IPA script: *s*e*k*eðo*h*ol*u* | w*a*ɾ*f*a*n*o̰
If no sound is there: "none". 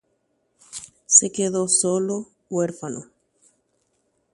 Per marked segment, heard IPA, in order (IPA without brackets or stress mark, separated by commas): s, k, s, o, e, f, n